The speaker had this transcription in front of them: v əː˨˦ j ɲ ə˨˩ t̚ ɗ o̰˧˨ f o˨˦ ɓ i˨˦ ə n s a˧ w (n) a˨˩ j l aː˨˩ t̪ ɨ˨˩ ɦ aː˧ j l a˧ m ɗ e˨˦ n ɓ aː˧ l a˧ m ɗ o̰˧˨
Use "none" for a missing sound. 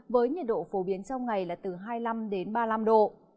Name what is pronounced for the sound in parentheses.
ŋ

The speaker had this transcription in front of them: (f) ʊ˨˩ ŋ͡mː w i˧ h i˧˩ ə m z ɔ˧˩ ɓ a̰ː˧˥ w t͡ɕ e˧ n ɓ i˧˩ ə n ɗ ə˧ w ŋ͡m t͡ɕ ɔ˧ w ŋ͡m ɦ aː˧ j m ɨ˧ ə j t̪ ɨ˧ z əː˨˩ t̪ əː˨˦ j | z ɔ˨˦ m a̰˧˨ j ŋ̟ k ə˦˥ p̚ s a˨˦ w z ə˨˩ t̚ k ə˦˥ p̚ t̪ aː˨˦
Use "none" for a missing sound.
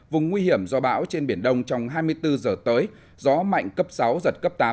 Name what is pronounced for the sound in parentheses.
v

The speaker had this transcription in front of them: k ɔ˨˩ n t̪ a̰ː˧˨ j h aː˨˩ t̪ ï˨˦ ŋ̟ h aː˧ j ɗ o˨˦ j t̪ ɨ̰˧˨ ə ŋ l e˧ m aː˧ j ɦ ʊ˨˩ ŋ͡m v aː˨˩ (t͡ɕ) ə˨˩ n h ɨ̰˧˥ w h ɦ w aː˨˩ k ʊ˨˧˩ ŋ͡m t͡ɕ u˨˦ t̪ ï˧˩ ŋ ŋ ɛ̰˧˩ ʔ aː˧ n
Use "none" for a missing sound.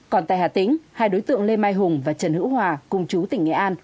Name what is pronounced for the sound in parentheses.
t͡ɕ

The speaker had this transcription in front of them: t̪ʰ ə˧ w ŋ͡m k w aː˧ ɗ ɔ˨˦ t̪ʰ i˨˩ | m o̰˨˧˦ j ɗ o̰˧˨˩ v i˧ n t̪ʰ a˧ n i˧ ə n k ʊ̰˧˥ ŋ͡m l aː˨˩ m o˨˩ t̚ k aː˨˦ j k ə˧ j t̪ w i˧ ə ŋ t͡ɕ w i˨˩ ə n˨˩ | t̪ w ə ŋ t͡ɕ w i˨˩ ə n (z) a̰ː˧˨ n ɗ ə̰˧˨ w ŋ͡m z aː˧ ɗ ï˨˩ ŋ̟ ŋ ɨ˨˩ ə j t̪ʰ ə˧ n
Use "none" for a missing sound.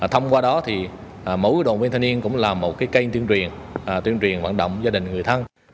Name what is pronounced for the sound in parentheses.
v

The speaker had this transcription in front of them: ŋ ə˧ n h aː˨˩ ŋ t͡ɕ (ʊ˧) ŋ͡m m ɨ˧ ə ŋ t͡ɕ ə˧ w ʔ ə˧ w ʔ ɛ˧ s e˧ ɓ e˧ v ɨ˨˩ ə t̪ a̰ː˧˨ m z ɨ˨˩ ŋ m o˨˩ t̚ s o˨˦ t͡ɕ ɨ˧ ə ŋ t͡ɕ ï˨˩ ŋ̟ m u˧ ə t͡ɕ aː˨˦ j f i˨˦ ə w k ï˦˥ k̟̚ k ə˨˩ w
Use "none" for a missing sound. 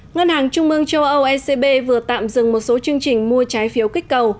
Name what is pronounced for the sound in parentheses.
ʊ˧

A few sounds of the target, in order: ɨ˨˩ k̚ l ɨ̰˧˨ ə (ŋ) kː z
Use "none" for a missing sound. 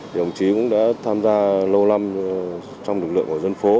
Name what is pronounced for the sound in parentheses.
ŋ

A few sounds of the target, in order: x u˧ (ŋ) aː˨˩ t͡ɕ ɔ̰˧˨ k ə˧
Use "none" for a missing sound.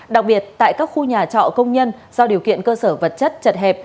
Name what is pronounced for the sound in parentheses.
ɲ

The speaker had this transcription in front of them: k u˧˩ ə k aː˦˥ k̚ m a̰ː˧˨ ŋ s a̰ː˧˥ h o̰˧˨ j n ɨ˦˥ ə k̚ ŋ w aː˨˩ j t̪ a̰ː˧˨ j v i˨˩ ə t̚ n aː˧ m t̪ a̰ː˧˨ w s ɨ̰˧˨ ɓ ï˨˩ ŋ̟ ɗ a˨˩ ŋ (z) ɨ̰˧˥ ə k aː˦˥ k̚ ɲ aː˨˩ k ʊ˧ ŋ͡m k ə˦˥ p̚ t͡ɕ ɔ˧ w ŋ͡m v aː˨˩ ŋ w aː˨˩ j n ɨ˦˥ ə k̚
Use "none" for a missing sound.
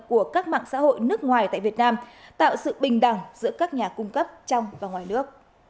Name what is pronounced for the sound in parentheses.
z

